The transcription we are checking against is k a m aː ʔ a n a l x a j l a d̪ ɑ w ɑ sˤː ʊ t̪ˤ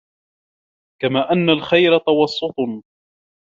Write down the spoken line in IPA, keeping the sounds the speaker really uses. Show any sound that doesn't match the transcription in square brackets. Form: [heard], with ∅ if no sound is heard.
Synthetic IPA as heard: k a m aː ʔ a [nː] a l x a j [ɾ] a [t̪] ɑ w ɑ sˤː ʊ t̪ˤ